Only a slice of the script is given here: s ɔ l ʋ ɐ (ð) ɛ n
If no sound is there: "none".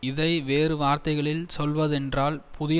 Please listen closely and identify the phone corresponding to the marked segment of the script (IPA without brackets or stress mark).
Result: ð